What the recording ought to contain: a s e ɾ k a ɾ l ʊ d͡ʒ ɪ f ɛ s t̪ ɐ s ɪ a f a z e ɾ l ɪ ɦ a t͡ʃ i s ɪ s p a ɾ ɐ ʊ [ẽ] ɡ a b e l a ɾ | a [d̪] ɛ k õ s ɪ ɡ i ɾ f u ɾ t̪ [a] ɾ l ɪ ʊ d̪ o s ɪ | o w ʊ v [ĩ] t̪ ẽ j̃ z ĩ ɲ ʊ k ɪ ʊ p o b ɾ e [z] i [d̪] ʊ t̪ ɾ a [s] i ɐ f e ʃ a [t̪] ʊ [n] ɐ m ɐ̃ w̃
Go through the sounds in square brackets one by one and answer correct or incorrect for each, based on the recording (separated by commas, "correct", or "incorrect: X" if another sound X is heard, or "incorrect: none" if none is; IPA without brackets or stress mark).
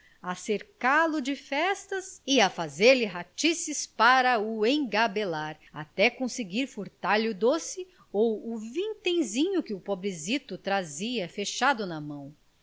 correct, incorrect: t̪, correct, correct, correct, incorrect: t̪, incorrect: z, incorrect: d̪, correct